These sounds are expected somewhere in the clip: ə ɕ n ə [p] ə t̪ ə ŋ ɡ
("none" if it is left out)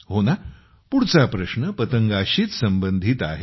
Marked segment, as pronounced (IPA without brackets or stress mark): p